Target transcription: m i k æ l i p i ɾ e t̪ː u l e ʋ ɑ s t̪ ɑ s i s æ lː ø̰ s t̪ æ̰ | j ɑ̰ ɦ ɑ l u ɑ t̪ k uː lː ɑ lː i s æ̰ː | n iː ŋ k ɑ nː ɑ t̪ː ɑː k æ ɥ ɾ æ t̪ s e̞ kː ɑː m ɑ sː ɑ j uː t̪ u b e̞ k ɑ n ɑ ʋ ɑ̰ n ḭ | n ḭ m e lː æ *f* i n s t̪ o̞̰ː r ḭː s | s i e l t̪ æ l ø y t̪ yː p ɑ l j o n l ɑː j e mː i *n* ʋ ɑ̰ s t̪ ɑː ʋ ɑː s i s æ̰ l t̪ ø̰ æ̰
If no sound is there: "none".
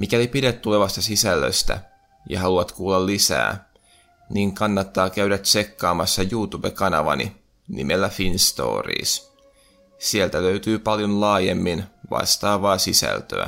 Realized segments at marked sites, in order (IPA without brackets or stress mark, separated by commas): f, n